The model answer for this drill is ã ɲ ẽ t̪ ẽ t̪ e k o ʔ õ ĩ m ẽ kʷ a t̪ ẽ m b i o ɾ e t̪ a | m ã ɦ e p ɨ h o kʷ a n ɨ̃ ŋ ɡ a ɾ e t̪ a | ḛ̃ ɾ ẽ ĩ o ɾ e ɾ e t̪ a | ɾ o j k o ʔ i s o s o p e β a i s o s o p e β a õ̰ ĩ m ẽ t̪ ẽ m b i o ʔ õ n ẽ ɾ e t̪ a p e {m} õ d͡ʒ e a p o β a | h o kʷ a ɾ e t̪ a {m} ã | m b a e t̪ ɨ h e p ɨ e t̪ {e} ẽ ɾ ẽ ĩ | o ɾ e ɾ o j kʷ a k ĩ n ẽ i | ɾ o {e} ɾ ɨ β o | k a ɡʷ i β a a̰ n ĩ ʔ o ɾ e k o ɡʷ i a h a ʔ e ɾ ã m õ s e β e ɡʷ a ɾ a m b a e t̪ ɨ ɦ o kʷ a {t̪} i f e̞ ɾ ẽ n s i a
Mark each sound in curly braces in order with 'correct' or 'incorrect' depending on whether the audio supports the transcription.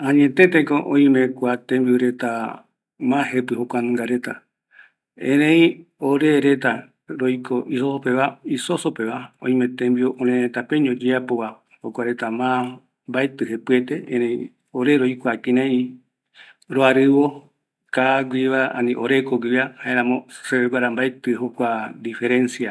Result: incorrect, correct, correct, incorrect, incorrect

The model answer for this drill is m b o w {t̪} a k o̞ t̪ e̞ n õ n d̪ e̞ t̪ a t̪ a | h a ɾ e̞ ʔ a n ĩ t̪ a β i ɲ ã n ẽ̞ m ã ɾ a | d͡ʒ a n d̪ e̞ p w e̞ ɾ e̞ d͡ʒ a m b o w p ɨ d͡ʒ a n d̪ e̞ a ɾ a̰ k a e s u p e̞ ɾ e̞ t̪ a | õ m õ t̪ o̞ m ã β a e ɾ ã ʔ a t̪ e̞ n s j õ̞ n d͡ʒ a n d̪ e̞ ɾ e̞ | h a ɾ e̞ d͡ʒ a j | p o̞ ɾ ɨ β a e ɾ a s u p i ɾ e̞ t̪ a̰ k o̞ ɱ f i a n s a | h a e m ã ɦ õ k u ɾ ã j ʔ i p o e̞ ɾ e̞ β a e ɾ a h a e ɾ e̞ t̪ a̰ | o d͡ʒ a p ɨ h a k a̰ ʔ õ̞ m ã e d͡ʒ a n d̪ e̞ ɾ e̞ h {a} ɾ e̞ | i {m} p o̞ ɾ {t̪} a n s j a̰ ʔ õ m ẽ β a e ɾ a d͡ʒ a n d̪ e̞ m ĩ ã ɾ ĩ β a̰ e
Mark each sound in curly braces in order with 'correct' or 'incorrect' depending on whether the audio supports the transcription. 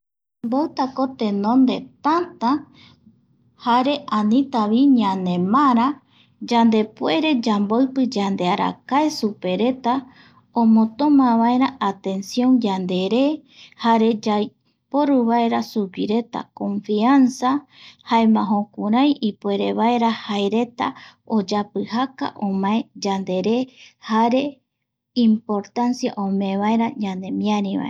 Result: correct, correct, correct, correct

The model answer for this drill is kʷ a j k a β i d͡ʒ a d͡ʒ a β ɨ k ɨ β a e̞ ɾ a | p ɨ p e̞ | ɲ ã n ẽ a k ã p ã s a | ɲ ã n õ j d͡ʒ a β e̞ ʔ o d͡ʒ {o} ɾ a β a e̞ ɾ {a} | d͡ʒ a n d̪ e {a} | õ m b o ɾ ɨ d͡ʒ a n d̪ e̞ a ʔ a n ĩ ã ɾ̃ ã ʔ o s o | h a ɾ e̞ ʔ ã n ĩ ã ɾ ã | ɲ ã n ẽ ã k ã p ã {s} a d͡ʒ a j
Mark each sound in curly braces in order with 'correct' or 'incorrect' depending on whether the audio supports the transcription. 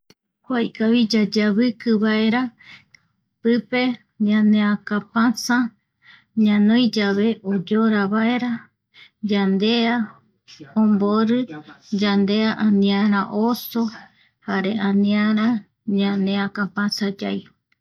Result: correct, correct, correct, correct

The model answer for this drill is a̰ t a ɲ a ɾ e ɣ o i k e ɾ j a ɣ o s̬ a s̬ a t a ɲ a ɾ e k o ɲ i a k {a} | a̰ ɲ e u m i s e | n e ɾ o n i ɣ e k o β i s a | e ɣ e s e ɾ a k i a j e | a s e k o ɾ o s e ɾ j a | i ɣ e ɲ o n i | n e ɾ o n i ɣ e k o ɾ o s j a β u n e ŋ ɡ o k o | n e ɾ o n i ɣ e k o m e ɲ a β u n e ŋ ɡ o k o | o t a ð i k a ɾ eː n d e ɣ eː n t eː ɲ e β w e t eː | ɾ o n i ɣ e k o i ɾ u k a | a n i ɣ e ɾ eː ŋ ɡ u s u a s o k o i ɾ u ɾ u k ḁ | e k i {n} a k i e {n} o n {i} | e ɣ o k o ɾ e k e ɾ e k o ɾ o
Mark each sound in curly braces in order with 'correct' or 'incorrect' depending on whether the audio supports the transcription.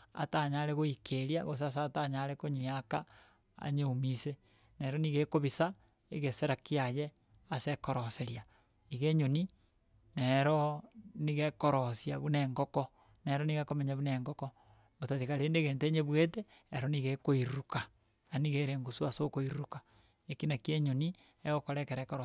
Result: correct, correct, incorrect, correct

